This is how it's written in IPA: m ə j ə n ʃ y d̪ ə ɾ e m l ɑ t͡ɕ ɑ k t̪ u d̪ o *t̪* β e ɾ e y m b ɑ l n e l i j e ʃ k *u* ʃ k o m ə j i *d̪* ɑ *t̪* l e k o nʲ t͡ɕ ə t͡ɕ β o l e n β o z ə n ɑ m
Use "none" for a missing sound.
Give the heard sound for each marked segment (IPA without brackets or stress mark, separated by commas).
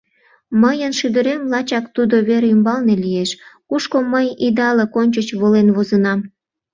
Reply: none, u, d̪, none